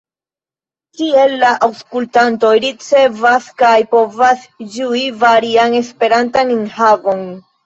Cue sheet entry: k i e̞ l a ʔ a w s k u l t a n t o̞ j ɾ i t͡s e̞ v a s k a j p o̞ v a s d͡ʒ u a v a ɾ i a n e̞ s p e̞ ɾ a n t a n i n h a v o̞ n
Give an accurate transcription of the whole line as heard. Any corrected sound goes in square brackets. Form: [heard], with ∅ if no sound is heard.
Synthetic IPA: k i e̞ [lː] a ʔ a w s k u l t a n t o̞ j ɾ i t͡s e̞ v a s k a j p o̞ v a s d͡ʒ u [i] v a ɾ i a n e̞ s p e̞ ɾ a n t a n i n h a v o̞ n